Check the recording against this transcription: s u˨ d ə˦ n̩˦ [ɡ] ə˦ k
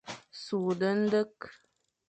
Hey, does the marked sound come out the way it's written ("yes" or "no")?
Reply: no